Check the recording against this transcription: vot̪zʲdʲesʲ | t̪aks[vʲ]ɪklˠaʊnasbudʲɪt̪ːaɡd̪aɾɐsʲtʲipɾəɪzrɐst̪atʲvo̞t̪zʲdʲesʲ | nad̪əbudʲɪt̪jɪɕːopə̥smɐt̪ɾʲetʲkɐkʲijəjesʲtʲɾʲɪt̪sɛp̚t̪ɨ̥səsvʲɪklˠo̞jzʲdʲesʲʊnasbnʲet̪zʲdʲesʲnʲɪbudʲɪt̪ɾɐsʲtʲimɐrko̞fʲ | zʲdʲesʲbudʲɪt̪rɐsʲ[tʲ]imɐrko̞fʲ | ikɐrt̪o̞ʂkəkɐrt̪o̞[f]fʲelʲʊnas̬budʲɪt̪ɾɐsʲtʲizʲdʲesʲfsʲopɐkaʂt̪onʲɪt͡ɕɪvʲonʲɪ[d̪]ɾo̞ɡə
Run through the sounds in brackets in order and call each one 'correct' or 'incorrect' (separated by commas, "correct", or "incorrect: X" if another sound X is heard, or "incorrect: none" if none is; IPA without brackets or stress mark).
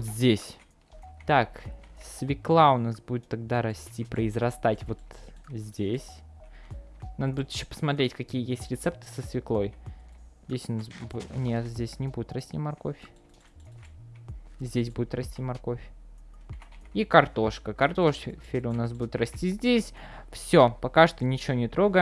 correct, correct, incorrect: ʂ, incorrect: t̪